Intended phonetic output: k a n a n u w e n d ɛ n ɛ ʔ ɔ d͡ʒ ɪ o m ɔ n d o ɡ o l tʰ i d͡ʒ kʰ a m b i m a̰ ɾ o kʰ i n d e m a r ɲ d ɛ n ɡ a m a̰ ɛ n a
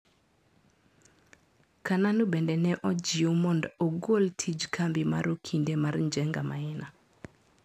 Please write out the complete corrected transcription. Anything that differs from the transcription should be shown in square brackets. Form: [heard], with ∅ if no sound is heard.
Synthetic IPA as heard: k a n a n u [b] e n d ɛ n ɛ ʔ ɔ d͡ʒ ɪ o m ɔ n d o ɡ o l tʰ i d͡ʒ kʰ a m b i m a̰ ɾ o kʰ i n d e m a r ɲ [d͡ʒ] ɛ [ŋ] ɡ a m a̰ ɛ n a